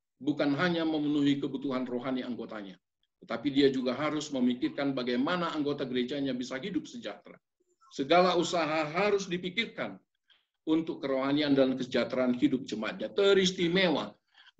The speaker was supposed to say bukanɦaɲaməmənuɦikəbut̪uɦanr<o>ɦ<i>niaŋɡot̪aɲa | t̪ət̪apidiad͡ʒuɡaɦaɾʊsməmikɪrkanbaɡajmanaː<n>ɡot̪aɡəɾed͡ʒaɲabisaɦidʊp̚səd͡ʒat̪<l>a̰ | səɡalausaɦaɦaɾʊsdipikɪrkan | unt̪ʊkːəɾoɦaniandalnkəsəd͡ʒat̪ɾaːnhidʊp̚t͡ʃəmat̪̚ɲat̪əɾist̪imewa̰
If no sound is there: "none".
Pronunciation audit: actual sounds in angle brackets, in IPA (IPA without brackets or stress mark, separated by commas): o, a, ŋ, ɾ